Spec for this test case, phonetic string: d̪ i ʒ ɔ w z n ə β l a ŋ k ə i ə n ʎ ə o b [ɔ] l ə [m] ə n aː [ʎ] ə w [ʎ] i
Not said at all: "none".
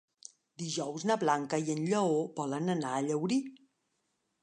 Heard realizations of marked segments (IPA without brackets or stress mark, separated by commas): ɔ, n, ʎ, ɾ